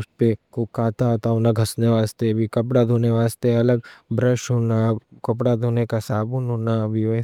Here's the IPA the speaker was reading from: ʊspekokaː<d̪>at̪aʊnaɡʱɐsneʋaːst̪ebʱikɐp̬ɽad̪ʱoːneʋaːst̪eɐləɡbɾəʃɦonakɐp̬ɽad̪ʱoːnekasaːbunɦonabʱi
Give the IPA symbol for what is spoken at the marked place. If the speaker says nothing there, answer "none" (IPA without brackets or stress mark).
t̪